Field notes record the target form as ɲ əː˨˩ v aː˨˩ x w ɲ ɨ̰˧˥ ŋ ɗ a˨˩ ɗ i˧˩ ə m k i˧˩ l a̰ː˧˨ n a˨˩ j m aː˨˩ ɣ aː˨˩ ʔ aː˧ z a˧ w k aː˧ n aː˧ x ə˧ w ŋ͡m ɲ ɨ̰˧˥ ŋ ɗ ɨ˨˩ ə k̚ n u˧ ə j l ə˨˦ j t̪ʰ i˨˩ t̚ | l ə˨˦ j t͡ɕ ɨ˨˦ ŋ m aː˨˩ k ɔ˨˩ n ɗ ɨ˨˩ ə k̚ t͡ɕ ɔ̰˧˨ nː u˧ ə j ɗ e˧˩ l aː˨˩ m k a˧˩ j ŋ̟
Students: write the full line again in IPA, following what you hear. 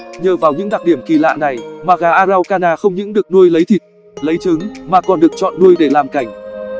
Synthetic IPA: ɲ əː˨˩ v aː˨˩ w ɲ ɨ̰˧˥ ŋ ɗ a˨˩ ɗ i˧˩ ə m k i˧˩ l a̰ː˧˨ n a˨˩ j m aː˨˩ ɣ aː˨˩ ʔ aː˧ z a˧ w k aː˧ n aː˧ x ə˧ w ŋ͡m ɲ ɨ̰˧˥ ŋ ɗ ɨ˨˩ ə k̚ n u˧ ə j l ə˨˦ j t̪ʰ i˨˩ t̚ | l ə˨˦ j t͡ɕ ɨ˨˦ ŋ m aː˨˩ k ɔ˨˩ n ɗ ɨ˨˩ ə k̚ t͡ɕ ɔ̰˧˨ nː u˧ ə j ɗ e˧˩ l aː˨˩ m k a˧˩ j ŋ̟

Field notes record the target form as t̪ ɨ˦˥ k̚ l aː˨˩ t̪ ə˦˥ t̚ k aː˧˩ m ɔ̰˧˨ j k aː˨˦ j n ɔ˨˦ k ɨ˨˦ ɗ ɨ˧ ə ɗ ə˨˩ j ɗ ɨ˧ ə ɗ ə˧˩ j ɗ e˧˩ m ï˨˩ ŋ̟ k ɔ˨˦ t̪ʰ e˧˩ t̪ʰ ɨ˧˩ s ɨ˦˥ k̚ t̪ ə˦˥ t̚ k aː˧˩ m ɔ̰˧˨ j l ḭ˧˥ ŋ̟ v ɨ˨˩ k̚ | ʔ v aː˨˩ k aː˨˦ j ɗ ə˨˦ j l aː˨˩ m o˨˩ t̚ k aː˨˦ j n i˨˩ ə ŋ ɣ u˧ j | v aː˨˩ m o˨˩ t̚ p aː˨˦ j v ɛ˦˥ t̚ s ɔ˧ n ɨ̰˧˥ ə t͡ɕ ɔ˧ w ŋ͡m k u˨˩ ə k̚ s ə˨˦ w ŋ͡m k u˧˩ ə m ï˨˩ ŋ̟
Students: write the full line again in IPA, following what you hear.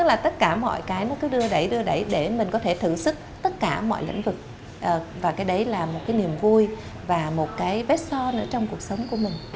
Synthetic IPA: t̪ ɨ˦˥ k̚ l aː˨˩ t̪ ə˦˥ t̚ k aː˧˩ m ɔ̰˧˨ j k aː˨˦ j n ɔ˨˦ k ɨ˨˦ ɗ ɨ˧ ə ɗ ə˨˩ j ɗ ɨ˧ ə ɗ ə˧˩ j ɗ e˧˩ m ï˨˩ ŋ̟ k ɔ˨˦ t̪ʰ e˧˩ t̪ʰ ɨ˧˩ s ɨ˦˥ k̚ t̪ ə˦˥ t̚ k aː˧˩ m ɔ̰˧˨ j l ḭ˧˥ ŋ̟ v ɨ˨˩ k̚ | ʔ v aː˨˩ k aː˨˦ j ɗ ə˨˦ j l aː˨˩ m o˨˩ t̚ k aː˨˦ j n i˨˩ ə m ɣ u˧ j | v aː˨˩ m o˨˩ t̚ k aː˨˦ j v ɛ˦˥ t̚ s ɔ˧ n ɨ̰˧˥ ə t͡ɕ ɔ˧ w ŋ͡m k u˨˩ ə k̚ s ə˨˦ w ŋ͡m k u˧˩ ə m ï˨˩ ŋ̟

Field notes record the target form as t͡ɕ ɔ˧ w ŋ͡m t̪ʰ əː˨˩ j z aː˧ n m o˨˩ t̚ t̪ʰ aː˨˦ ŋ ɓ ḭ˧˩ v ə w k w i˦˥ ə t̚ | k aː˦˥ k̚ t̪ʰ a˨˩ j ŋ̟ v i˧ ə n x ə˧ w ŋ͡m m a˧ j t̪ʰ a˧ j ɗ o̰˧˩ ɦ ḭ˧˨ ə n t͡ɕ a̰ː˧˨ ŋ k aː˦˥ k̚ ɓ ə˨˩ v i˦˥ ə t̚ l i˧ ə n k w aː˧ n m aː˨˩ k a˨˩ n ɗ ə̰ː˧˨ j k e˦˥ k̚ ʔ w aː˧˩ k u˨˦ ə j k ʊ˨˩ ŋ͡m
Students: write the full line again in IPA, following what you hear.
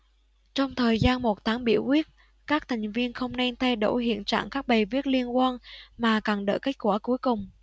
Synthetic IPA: t͡ɕ ɔ˧ w ŋ͡m t̪ʰ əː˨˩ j z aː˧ n m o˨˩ t̚ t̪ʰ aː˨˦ ŋ ɓ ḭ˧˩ ə w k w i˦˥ ə t̚ | k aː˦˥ k̚ t̪ʰ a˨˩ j ŋ̟ v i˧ ə n x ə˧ w ŋ͡m n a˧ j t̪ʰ a˧ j ɗ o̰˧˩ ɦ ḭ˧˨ ə n t͡ɕ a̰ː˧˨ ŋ k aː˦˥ k̚ ɓ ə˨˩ v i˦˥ ə t̚ l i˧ ə n k w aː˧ n m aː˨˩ k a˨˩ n ɗ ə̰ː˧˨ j k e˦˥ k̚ k w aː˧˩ k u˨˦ ə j k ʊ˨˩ ŋ͡m

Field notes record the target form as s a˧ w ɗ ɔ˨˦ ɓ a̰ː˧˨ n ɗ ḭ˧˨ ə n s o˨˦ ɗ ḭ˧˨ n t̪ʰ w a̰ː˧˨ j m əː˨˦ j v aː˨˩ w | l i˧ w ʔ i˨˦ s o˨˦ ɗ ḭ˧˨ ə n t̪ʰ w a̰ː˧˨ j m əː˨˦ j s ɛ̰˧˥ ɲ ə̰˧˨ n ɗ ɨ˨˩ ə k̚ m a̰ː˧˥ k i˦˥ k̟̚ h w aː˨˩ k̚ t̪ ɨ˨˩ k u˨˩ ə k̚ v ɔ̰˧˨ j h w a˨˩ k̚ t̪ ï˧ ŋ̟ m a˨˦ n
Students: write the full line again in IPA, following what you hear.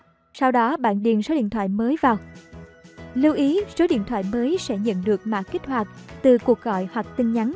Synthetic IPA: s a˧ w ɗ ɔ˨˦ ɓ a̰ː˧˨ n ɗ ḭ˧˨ ə n s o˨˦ ɗ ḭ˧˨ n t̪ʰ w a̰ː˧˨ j m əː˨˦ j v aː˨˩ w | l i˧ w ʔ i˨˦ s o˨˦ ɗ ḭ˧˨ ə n t̪ʰ w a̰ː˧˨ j m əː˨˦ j s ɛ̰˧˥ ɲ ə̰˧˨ n ɗ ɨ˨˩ ə k̚ m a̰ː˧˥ k i˦˥ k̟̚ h w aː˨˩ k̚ t̪ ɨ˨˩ k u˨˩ ə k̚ ɣ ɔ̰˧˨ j h w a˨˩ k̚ t̪ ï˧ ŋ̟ ɲ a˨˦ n

